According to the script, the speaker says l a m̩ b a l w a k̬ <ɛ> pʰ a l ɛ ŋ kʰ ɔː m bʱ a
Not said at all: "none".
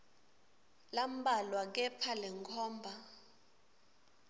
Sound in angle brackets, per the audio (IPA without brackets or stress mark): ɛ